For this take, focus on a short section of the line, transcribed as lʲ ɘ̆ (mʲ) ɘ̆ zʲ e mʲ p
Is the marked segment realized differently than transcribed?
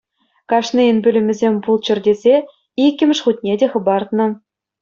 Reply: no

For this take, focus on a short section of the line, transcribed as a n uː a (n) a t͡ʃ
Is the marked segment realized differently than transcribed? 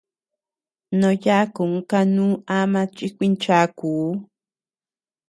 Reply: yes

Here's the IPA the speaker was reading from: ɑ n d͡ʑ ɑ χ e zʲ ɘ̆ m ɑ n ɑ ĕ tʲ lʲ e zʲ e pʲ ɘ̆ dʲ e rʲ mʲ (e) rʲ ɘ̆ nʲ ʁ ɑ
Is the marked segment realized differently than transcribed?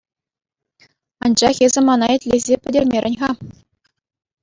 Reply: no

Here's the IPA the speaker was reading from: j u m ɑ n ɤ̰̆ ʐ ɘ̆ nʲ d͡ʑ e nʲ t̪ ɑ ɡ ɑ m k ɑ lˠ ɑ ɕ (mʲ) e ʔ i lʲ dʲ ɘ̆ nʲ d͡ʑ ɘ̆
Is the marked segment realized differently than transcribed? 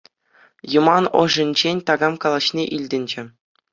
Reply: yes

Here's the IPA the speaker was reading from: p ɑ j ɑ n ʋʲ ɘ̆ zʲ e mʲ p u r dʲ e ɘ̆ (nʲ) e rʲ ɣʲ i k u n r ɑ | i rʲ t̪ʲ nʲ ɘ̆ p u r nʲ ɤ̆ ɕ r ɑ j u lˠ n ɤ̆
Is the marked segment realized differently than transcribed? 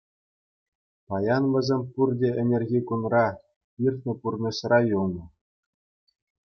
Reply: no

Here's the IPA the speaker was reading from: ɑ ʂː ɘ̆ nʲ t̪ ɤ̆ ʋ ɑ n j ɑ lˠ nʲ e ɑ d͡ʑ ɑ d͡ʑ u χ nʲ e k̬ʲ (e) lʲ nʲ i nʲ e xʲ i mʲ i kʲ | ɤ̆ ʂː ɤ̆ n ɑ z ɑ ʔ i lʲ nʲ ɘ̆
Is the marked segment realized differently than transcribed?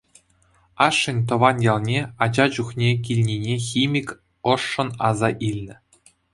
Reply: yes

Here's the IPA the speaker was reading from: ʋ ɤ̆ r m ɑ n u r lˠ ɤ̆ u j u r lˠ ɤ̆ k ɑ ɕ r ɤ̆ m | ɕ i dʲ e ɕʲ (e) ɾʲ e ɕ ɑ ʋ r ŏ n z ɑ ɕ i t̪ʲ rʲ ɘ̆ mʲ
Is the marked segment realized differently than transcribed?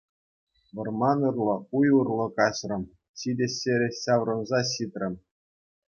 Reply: no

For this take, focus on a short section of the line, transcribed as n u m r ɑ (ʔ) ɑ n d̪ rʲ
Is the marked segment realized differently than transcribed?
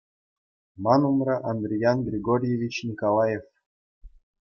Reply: no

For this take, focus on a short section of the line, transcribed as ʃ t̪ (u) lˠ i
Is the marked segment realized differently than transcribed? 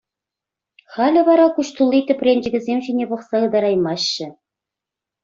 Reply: no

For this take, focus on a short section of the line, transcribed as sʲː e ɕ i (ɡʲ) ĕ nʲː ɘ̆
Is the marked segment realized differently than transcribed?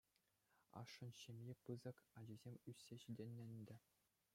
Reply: yes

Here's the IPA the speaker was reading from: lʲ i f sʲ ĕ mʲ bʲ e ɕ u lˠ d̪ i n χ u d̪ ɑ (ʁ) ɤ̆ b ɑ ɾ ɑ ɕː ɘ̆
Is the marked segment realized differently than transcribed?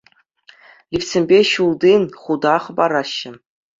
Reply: yes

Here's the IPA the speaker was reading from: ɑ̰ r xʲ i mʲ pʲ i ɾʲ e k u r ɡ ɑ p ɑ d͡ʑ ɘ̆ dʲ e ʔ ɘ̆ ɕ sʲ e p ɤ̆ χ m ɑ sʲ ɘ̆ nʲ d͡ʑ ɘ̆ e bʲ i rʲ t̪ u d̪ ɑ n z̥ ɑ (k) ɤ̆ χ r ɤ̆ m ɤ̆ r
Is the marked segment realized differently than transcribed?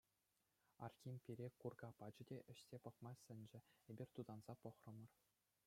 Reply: yes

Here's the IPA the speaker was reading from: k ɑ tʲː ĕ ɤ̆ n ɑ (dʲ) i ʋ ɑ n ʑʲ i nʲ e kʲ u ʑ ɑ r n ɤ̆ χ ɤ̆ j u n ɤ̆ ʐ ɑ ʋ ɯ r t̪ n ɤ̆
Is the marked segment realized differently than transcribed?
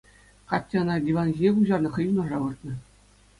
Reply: no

